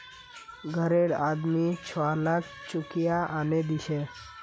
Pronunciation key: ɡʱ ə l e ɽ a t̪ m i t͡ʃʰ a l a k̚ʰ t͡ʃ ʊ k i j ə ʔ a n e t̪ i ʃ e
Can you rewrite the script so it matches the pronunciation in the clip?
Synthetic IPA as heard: ɡʱ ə ɾ e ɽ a d̪ m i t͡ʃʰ a l a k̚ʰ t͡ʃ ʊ k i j a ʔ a n e d̪ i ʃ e